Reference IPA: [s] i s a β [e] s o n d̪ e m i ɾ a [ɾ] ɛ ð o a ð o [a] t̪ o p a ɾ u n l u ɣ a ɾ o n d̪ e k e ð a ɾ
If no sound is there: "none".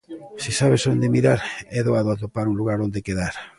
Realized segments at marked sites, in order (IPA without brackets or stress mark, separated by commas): s, e, ɾ, a